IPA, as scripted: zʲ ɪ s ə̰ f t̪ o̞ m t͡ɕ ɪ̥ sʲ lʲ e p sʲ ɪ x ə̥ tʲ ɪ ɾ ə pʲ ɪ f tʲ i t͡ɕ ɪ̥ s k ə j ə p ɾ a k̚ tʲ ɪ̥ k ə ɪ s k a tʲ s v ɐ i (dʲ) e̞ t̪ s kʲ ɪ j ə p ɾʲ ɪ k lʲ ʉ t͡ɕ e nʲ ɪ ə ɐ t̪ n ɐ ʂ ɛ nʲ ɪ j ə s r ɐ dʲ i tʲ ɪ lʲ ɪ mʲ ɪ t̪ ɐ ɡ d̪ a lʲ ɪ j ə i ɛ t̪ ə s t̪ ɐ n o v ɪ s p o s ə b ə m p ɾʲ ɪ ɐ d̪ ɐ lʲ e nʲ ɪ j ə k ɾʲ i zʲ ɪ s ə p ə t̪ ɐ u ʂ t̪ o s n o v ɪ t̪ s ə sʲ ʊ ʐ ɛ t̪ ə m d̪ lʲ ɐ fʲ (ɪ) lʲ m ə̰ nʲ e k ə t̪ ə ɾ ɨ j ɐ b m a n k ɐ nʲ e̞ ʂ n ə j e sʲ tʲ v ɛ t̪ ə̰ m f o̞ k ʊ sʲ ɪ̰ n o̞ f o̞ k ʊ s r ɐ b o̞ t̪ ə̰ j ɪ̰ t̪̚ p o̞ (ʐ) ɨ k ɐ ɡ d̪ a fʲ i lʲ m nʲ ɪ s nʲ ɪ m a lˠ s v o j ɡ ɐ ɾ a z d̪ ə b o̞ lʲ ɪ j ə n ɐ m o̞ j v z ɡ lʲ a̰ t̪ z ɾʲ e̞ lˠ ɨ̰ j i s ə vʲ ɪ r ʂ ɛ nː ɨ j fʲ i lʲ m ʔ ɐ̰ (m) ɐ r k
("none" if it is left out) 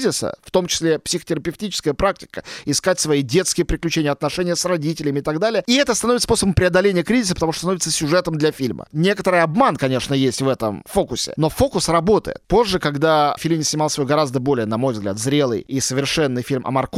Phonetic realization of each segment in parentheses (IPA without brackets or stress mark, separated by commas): dʲ, i, ʐː, m